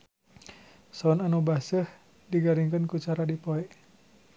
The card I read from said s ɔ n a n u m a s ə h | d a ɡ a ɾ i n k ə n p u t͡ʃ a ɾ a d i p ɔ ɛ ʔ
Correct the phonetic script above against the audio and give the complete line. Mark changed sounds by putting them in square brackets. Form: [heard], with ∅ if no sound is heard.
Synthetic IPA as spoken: s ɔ n a n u [b] a s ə h | d [i] ɡ a ɾ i [ŋ] k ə n [k] u t͡ʃ a ɾ a d i p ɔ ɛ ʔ